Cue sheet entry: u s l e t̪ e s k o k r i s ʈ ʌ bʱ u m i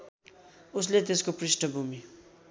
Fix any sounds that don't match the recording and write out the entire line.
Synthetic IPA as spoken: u s l e t̪ e s k o p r i s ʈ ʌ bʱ u m i